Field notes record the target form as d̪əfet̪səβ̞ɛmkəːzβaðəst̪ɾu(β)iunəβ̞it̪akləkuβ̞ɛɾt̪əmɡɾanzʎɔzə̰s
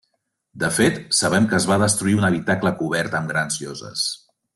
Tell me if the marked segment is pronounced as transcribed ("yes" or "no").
no